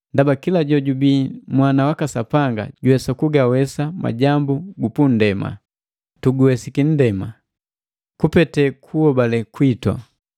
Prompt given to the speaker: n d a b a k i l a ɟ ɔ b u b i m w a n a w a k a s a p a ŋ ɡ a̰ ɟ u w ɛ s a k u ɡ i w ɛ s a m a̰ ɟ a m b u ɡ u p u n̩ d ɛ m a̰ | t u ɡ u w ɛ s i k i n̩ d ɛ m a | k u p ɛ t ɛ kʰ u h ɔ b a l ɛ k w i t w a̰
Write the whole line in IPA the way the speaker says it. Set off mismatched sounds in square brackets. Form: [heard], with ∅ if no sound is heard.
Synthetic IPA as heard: n d a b a k i l a ɟ ɔ [ɟ] u b i m w a n a w a k a s a p a ŋ ɡ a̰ ɟ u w ɛ s a k u ɡ [a] w ɛ s a m a̰ ɟ a m b u ɡ u p u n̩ d ɛ m a̰ | t u ɡ u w ɛ s i k i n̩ d ɛ m a | k u p ɛ t ɛ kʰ u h ɔ b a l ɛ k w i t w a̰